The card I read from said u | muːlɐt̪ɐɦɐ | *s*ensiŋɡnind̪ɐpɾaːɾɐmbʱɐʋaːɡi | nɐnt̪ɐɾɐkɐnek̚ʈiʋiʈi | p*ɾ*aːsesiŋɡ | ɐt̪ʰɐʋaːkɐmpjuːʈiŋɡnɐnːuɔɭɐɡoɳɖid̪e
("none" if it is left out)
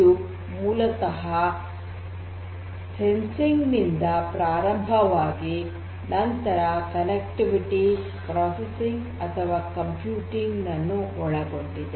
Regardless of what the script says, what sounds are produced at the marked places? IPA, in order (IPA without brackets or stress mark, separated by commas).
s, ɾ